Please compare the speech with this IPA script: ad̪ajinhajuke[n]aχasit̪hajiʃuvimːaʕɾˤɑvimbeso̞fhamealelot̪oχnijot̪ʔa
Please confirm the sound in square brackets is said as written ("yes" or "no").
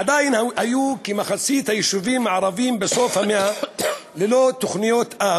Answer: no